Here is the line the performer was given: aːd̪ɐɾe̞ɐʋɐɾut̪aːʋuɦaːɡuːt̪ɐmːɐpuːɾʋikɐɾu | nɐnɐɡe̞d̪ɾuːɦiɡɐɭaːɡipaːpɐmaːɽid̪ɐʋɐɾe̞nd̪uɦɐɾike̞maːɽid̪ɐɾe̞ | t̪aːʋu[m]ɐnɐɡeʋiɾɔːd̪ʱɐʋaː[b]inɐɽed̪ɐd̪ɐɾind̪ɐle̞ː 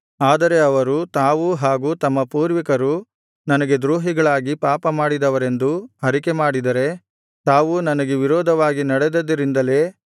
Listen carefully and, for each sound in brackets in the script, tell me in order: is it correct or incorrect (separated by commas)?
incorrect, incorrect